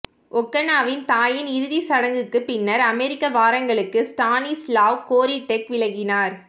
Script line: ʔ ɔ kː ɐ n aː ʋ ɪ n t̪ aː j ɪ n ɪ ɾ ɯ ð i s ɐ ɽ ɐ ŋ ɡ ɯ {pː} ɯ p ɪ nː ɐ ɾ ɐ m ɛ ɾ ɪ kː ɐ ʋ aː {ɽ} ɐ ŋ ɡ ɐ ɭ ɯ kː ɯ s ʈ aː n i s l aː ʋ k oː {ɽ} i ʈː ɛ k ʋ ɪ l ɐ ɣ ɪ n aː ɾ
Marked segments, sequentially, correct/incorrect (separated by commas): incorrect, incorrect, incorrect